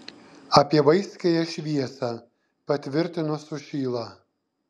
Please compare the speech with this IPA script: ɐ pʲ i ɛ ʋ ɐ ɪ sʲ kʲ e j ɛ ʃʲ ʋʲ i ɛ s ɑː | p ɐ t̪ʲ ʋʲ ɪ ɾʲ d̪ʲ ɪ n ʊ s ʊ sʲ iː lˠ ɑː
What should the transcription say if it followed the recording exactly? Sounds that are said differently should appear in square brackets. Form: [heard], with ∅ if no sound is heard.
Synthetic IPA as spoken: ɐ pʲ i ɛ ʋ ɐ ɪ sʲ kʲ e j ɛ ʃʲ ʋʲ i ɛ s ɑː | p ɐ t̪ʲ ʋʲ ɪ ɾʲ [t̪ʲ] ɪ n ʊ s ʊ [ʃʲ] iː lˠ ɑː